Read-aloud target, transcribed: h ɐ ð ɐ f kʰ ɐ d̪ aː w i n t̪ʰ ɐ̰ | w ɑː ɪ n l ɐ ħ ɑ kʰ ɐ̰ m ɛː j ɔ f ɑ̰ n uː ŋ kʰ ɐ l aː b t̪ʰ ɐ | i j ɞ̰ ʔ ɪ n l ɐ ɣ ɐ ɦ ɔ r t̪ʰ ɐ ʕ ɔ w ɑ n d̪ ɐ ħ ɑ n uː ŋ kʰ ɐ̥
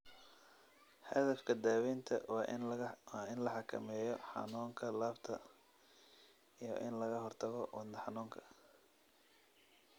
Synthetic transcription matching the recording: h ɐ ð ɐ f kʰ ɐ d̪ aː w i n t̪ʰ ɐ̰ | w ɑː ɪ n l ɐ ħ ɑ kʰ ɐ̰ m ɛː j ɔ ħ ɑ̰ n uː ŋ kʰ ɐ l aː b t̪ʰ ɐ | i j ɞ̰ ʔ ɪ n l ɐ ɣ ɐ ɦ ɔ r t̪ʰ ɐ ɣ ɔ w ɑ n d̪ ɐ ħ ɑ n uː ŋ kʰ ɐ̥